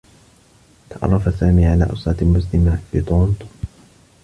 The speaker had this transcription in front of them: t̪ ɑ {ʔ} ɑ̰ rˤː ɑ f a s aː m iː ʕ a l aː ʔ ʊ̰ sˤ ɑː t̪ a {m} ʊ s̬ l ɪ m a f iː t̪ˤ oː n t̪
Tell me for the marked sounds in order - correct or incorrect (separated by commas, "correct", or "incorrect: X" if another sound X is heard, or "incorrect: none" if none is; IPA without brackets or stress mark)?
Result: correct, correct